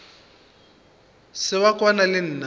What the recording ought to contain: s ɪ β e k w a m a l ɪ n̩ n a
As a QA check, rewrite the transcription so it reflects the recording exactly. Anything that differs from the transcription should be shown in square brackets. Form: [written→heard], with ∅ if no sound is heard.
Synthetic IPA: s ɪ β [e→a] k w a [m→n] a l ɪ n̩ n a